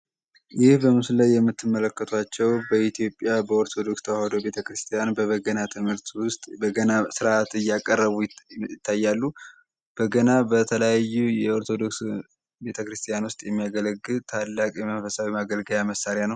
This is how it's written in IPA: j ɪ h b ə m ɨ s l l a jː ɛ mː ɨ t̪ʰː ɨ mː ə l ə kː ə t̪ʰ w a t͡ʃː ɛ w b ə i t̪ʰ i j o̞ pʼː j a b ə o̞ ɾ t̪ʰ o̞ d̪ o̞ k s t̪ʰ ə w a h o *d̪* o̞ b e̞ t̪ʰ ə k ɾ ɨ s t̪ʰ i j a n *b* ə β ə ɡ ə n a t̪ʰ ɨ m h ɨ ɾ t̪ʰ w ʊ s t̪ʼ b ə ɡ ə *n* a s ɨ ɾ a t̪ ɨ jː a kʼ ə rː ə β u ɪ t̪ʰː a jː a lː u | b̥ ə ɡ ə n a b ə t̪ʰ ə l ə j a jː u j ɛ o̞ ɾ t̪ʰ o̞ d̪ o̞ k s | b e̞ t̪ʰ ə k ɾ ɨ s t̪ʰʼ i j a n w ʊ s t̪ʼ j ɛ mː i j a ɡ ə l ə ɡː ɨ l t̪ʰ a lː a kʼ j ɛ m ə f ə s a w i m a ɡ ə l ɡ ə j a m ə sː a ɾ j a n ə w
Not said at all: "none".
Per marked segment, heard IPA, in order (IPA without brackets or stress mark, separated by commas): d̪, b, n